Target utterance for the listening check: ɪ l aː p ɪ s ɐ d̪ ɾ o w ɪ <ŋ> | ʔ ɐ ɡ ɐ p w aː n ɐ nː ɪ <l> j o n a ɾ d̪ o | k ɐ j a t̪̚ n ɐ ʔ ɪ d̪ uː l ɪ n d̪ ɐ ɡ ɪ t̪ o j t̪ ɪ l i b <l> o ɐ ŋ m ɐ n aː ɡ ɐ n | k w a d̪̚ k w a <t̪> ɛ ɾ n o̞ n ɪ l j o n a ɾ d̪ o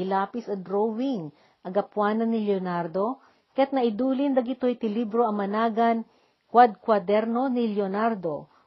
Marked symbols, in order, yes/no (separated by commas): yes, yes, no, no